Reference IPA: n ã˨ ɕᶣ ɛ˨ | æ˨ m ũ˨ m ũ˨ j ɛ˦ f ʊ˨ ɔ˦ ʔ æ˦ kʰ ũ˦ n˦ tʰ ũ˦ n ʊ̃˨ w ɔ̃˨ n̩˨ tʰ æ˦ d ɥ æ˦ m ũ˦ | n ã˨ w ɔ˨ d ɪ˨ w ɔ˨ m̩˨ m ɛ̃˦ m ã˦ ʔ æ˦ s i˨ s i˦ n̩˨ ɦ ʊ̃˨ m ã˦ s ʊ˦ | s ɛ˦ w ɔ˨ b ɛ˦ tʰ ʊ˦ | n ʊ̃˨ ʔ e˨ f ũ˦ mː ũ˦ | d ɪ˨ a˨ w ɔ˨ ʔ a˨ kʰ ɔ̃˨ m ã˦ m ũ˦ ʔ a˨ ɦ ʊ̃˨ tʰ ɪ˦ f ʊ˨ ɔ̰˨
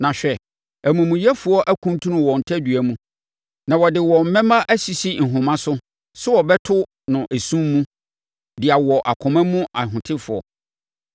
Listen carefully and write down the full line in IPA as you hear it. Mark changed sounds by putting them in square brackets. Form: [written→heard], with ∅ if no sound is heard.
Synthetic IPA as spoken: n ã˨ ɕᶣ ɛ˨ | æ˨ m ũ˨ m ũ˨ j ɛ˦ f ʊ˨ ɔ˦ ʔ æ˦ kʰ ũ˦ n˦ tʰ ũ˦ n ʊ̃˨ w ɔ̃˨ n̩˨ tʰ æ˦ d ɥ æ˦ m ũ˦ | n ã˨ w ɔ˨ d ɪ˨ w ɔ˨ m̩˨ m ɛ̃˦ m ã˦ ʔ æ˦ s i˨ s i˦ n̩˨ ɦ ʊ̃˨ m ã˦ s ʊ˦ | s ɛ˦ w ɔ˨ b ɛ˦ tʰ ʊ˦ | n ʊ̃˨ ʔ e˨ [f→s] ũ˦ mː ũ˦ | d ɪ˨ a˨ w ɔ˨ ʔ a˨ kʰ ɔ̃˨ m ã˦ m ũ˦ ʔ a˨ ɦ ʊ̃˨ tʰ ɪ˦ f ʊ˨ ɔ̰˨

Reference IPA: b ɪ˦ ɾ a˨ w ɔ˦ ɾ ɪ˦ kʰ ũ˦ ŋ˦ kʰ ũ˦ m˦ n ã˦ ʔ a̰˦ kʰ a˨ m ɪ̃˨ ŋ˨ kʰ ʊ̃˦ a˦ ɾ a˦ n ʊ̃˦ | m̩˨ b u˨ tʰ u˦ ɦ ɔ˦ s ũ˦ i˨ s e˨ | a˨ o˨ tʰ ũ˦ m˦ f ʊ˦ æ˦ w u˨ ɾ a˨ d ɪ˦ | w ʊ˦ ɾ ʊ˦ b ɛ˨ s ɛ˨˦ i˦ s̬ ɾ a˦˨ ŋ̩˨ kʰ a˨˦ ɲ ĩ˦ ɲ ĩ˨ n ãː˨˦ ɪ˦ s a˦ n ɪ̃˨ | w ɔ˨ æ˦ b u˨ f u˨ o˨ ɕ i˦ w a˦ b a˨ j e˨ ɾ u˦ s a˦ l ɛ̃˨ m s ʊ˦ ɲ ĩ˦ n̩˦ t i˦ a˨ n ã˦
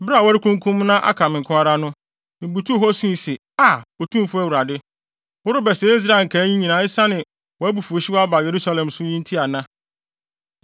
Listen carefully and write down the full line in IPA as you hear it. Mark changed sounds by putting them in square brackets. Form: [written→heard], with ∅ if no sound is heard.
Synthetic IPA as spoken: b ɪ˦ ɾ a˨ w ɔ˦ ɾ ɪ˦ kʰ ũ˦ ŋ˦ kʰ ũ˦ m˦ n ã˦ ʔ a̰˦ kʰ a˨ m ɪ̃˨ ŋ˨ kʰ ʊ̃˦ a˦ ɾ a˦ n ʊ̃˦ | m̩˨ b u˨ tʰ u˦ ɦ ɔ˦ s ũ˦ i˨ s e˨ | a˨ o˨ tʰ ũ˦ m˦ f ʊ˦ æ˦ w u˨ ɾ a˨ d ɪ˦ | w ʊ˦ ɾ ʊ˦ b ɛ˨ s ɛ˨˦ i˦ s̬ ɾ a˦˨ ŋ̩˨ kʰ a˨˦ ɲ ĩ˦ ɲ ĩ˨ n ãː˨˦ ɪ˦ s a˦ n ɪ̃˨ | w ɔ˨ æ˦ b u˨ f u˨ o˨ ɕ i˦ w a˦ b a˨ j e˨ ɾ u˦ s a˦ l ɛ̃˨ m s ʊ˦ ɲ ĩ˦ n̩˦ [t→tʰ] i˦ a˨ n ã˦

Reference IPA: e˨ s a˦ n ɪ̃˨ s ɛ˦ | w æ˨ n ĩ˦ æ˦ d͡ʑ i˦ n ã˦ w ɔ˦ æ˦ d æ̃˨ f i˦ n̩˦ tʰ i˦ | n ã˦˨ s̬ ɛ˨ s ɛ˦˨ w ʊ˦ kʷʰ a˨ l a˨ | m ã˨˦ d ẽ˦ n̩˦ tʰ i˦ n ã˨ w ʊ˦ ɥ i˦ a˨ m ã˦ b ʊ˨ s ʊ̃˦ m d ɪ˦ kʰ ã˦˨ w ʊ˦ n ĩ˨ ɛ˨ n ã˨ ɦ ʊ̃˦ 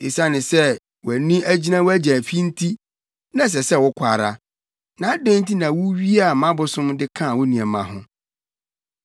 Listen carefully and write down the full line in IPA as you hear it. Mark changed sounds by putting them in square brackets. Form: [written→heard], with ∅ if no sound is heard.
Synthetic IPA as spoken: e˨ s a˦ n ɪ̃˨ s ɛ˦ | w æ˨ n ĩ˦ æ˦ d͡ʑ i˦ n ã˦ w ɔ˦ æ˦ [d→d͡ʑ] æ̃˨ f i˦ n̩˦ tʰ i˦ | n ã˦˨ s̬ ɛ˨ s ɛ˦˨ w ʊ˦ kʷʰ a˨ [l→ɾ] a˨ | [m→n] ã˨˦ d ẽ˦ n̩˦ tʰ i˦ n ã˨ w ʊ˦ ɥ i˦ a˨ m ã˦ b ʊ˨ s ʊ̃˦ m d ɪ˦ kʰ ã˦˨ w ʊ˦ n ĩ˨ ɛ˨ [n→m] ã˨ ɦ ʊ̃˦

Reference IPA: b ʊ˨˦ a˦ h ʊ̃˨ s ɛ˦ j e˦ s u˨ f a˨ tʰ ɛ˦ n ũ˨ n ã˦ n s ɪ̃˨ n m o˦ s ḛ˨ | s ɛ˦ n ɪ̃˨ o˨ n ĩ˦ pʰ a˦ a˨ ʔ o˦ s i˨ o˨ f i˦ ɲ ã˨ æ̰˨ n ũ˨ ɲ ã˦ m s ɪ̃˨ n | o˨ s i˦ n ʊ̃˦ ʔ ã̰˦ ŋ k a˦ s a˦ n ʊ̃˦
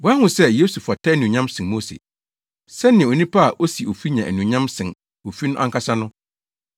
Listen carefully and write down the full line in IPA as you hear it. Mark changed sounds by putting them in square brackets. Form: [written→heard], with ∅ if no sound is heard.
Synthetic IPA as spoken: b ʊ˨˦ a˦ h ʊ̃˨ s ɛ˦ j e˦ s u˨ f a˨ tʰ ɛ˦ n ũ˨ [n→ɲ] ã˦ [n→m] s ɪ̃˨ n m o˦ s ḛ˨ | s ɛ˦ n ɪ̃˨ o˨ n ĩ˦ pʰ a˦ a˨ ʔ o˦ s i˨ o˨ f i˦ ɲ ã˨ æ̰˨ n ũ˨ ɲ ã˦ m s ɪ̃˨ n | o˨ [s→f] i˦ n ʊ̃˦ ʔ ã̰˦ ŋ k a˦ s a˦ n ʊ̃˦

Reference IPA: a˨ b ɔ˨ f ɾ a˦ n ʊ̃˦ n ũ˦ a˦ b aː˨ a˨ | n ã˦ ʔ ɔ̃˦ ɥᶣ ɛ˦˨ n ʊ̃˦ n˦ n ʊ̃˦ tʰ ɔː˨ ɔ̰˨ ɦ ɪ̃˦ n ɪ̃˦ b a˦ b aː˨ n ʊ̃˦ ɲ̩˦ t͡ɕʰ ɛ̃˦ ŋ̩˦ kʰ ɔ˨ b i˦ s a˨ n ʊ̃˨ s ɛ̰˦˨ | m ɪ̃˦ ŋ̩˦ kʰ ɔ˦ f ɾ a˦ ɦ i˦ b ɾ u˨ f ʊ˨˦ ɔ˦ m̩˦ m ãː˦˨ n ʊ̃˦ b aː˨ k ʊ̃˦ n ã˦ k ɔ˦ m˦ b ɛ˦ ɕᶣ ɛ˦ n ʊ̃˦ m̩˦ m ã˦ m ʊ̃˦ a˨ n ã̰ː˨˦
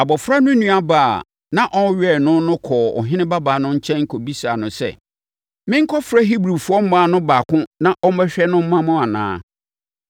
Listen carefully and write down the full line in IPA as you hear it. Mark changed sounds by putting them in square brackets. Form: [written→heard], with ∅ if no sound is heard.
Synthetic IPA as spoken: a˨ b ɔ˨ f ɾ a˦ n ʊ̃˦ n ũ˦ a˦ b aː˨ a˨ | n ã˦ ʔ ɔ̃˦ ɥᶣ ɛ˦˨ n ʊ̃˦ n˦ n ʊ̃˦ [tʰ→kʰ] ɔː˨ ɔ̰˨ ɦ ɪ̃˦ n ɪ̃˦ b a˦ b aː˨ n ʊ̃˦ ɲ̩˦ t͡ɕʰ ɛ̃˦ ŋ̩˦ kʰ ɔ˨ b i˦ s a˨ n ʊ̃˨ s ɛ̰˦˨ | m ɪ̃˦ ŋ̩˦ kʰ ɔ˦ f ɾ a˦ ɦ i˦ b ɾ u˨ f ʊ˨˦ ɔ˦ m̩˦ m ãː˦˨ n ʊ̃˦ b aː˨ k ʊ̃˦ n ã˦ [k→ʔ] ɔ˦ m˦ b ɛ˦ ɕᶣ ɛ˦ n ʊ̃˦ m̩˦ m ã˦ m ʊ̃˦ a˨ n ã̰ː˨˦

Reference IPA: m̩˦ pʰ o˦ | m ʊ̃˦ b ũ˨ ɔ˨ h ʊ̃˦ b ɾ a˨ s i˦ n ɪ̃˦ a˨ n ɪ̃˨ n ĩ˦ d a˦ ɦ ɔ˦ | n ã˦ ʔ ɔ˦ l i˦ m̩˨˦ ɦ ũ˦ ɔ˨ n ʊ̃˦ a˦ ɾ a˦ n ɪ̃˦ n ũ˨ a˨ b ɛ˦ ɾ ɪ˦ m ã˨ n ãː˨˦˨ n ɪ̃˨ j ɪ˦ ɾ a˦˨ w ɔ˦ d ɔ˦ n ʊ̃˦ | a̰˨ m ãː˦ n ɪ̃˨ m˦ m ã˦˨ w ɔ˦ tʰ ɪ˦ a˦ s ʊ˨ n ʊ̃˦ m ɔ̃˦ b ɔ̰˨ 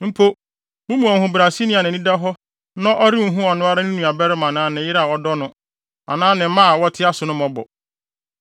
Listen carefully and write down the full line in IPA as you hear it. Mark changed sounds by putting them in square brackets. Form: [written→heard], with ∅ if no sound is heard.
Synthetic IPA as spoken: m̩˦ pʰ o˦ | m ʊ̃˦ [b→m] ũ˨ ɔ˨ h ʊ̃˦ b ɾ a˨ s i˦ n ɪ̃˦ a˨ n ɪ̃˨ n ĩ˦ d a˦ ɦ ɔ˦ | n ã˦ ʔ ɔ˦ [l→ɾ] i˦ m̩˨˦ ɦ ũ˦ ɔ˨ n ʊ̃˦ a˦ ɾ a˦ n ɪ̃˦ n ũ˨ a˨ b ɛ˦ ɾ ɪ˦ m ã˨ n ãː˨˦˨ n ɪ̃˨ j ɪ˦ ɾ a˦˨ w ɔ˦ d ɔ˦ n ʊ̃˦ | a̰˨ [m→n] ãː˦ n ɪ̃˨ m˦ m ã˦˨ w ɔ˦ tʰ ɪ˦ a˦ s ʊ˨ n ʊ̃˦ m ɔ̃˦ b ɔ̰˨

